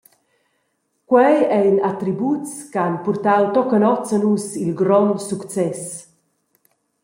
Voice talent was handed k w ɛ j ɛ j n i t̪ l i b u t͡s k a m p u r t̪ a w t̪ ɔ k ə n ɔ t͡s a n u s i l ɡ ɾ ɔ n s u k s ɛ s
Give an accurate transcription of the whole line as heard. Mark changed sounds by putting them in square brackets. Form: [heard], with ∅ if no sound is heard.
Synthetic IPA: k w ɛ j ɛ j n [a] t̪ [ɾ] i b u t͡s k a [n] p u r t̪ a w t̪ ɔ k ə n ɔ t͡s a n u s i l ɡ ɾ ɔ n s u k [t͡s] ɛ s